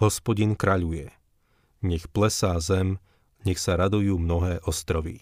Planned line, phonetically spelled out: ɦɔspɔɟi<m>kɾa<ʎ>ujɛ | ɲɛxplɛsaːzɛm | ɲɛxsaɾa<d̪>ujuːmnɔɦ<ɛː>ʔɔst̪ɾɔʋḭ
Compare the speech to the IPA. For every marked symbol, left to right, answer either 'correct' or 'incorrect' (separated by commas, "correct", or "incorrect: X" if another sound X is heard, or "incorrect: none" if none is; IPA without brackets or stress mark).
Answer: incorrect: n, correct, correct, correct